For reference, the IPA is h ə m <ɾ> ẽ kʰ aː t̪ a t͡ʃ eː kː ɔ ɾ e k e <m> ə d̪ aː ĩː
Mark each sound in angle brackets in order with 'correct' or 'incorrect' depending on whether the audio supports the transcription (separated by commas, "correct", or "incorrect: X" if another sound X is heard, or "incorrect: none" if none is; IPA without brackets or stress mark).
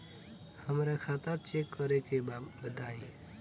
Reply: correct, incorrect: b